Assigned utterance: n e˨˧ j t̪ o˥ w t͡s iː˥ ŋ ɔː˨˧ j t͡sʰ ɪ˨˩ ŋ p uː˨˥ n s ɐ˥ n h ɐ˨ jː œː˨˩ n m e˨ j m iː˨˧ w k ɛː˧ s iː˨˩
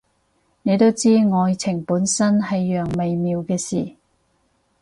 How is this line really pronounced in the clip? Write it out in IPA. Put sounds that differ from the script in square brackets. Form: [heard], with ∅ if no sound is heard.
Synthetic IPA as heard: n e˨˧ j t̪ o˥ w t͡s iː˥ ŋ ɔː˨˧ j t͡sʰ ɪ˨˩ ŋ p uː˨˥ n s ɐ˥ n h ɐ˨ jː œː˨˩ [ŋ] m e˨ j m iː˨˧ w k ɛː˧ s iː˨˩